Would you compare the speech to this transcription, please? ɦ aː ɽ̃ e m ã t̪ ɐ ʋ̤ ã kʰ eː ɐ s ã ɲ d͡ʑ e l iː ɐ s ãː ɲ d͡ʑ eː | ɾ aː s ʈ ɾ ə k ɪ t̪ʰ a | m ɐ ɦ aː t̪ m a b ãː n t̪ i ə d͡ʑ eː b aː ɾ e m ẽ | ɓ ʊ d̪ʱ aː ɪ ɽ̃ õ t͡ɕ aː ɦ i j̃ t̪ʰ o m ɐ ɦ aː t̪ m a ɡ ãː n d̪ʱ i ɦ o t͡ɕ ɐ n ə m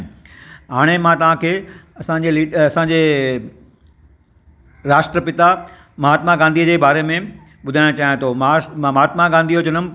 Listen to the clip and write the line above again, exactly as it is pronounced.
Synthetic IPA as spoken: ɦ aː ɽ̃ e m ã t̪ ɐ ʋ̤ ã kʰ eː ɐ s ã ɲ d͡ʑ e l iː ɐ s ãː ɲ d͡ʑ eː | ɾ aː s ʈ ɾ ə p ɪ t̪ a | m ɐ ɦ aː t̪ m a ɡ ãː n d̪ i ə d͡ʑ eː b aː ɾ e m ẽ | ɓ ʊ d̪ʱ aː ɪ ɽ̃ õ t͡ɕ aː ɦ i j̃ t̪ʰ o m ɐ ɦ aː t̪ m a ɡ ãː n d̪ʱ i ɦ o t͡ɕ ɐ n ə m